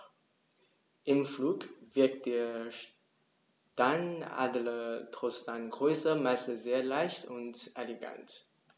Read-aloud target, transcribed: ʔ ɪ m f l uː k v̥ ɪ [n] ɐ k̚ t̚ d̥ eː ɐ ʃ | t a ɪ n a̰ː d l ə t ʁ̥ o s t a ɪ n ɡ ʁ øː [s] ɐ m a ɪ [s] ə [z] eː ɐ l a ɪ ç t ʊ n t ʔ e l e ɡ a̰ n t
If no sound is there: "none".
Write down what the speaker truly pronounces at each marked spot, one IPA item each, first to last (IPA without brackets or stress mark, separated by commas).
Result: none, s, s, z